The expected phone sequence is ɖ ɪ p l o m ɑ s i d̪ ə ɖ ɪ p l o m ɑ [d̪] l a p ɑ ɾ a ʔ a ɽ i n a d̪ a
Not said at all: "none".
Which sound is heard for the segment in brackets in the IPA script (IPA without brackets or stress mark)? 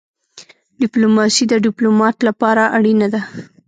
t̪